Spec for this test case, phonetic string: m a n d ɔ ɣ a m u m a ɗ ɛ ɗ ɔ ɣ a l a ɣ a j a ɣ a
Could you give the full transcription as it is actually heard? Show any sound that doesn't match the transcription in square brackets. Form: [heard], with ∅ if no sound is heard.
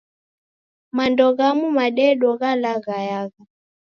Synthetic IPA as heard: m a n d ɔ ɣ a m u m a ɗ ɛ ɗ ɔ ɣ a l a ɣ a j a ɣ a